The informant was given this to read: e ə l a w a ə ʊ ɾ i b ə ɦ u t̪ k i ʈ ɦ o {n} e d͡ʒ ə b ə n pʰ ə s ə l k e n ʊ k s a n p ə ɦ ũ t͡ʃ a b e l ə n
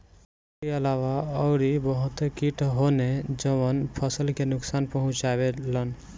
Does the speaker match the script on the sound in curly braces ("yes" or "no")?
yes